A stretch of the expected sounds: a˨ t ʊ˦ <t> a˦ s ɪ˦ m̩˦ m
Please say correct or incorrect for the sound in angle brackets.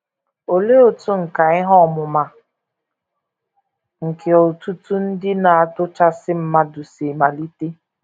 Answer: incorrect: t͡ʃ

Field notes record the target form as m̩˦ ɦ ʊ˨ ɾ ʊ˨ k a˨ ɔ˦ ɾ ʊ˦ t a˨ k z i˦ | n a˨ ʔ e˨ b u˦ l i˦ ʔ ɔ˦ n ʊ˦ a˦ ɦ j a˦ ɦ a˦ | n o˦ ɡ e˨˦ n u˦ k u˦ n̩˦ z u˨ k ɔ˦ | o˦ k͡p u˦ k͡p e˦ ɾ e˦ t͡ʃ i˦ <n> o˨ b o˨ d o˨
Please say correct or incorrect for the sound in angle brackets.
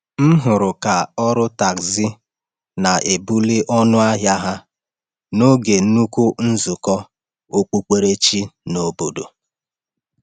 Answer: correct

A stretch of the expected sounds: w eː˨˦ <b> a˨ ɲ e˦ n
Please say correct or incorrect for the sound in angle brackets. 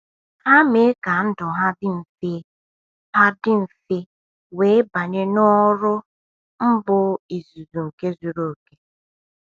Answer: correct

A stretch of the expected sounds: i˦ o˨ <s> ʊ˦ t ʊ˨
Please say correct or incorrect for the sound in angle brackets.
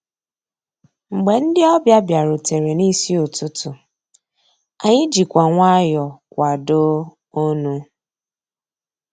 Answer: incorrect: t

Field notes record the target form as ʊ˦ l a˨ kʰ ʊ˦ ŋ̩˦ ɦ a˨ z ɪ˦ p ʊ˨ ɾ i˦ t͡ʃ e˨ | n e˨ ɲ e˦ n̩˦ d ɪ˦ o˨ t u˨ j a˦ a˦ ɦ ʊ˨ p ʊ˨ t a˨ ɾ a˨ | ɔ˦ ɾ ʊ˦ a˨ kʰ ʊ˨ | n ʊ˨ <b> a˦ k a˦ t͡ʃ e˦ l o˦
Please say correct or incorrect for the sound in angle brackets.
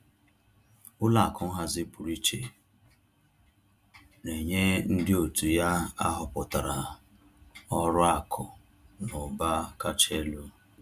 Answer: correct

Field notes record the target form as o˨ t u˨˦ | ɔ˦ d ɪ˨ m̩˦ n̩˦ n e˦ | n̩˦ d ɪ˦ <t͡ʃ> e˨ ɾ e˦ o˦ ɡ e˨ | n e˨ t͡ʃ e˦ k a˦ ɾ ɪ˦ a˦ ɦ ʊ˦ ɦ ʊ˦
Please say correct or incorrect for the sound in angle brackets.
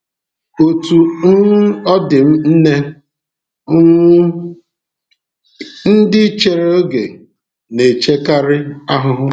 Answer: correct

